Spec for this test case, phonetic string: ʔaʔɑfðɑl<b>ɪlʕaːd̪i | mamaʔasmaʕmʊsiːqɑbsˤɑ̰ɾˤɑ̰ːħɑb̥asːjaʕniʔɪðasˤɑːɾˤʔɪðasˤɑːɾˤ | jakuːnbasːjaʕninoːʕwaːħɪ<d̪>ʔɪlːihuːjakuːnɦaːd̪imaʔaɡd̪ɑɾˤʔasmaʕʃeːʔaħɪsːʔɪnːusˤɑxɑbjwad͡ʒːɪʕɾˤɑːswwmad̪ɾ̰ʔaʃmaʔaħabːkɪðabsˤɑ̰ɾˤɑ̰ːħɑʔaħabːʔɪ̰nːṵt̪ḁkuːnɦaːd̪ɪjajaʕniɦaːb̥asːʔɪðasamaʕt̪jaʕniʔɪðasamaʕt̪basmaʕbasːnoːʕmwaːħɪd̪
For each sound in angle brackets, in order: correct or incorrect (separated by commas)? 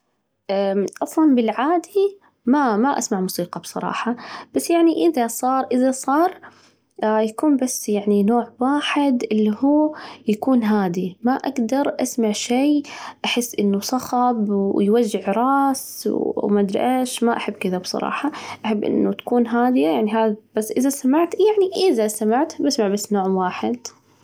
correct, correct